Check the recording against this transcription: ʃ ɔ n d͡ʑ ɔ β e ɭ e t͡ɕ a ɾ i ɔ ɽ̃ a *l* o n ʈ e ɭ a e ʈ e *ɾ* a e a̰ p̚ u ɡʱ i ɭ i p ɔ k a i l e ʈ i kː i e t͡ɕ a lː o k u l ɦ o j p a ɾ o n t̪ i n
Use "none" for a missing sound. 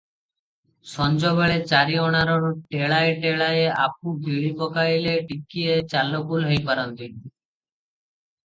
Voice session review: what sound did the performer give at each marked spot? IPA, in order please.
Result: ɾ, ɭ

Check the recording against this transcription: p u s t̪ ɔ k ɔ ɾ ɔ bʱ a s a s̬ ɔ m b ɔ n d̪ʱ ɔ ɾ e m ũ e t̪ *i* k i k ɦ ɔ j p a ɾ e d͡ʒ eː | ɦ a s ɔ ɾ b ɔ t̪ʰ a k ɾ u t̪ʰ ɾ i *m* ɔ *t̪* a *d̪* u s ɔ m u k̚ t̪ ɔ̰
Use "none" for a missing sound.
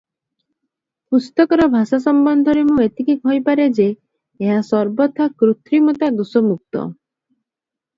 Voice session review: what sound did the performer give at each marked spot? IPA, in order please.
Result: i, m, t̪, d̪

